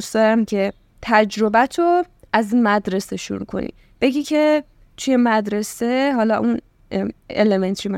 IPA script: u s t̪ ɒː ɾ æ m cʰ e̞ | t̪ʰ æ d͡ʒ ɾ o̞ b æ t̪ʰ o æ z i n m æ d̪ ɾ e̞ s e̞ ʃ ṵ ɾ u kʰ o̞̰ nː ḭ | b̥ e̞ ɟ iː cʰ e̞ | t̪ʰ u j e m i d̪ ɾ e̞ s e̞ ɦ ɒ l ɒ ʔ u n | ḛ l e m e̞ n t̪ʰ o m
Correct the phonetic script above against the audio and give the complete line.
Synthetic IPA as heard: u s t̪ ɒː ɾ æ m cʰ e̞ | t̪ʰ æ d͡ʒ ɾ o̞ b æ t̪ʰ o æ z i n m æ d̪ ɾ e̞ s e̞ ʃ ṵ ɾ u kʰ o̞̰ n ḭ | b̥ e̞ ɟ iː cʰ e̞ | t̪ʰ u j e m æ d̪ ɾ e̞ s e̞ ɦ ɒ l ɒ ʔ u n | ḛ l e m e̞ n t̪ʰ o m